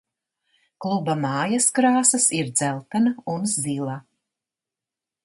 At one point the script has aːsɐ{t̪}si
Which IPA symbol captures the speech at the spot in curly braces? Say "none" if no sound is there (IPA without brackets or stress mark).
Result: none